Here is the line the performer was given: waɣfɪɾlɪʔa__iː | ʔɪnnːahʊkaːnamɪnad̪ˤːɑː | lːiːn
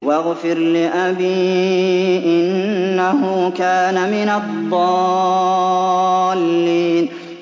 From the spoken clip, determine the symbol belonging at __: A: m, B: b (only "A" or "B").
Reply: B